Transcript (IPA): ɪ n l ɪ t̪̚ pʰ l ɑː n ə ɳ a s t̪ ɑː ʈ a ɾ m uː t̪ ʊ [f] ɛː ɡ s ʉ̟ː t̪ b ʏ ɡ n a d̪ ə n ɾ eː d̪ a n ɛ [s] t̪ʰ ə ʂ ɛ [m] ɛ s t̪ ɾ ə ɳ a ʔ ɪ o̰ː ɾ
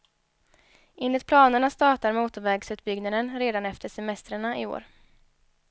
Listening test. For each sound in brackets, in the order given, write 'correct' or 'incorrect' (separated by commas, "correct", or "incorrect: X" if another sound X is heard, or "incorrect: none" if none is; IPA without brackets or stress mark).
incorrect: v, incorrect: f, correct